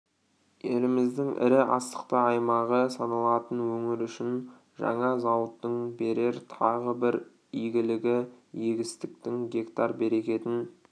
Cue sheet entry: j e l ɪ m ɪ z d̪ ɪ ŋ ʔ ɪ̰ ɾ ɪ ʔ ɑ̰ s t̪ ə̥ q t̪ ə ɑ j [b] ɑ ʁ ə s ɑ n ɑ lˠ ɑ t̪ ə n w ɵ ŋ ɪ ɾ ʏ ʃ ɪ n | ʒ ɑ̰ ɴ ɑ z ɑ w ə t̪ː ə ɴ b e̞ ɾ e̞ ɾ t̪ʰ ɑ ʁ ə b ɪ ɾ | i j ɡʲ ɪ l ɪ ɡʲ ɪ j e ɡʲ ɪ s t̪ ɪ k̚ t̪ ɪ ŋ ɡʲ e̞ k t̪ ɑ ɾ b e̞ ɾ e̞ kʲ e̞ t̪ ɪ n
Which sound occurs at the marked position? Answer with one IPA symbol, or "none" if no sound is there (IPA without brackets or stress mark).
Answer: m